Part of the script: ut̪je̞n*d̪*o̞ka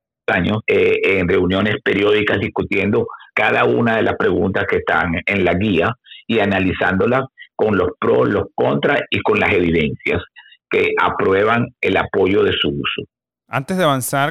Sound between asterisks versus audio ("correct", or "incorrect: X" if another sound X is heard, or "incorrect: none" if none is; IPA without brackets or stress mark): correct